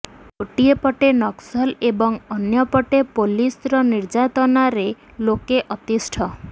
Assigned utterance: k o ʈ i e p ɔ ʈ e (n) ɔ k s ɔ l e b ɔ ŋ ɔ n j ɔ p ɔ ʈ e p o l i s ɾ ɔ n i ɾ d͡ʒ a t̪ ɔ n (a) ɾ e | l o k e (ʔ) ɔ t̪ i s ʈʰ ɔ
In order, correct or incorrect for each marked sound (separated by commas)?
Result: correct, correct, correct